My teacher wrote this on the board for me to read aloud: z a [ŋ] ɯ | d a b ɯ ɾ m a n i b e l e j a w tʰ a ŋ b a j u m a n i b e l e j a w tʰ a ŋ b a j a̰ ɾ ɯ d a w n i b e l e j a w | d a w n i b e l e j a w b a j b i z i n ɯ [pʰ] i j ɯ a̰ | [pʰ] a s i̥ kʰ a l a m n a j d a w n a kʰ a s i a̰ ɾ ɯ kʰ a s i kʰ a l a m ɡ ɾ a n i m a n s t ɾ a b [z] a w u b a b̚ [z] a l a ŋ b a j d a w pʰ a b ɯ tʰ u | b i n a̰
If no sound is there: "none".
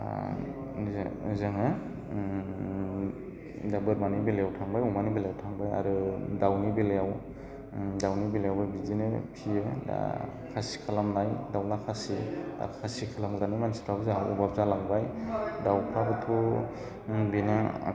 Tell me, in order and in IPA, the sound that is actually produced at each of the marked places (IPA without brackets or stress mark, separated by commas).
ŋ, pʰ, kʰ, z, z